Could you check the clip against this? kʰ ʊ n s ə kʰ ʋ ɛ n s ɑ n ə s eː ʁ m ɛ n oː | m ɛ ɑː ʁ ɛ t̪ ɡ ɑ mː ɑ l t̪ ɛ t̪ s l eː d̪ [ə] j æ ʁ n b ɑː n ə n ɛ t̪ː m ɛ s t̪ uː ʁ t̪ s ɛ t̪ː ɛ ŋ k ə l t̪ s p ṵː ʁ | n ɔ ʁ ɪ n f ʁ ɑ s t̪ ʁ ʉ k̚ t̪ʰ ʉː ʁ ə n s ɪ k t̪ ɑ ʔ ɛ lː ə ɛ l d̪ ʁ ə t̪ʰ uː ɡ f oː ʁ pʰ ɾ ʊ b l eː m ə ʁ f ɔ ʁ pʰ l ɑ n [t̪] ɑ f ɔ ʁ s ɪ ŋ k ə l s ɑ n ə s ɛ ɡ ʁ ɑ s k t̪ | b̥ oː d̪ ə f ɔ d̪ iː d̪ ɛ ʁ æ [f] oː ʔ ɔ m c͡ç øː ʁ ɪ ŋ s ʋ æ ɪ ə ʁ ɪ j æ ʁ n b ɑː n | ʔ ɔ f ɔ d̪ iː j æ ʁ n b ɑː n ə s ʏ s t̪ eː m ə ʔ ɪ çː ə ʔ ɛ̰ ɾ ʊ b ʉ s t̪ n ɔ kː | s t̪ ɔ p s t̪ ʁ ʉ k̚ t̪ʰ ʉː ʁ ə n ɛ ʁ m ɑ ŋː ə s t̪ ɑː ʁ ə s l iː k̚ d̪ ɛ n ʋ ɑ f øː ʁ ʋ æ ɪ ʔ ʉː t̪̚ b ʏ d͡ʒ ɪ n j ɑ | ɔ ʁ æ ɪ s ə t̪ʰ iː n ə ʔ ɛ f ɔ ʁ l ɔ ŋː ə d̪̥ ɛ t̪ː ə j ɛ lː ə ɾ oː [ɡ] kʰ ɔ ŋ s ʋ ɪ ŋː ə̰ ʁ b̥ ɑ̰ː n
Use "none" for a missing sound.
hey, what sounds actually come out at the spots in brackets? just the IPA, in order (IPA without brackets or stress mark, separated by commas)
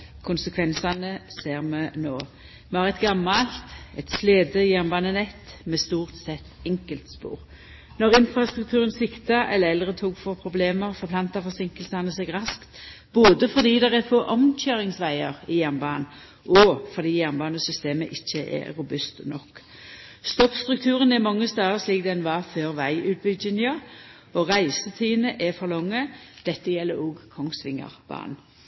ə, t̪, f, ɡ